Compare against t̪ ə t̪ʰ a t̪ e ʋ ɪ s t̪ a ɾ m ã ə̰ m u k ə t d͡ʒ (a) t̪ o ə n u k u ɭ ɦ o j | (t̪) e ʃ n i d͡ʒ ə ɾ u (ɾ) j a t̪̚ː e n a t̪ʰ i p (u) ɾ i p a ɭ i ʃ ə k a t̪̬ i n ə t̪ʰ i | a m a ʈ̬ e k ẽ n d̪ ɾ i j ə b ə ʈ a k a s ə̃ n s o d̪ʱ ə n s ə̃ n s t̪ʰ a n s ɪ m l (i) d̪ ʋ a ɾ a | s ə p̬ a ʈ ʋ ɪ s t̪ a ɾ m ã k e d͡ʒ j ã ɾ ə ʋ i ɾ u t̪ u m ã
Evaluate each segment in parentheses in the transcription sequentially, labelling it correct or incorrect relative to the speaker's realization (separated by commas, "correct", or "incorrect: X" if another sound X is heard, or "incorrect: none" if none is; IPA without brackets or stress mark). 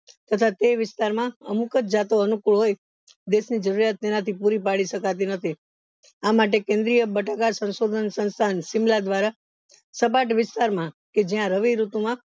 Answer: correct, incorrect: d̪, correct, correct, incorrect: a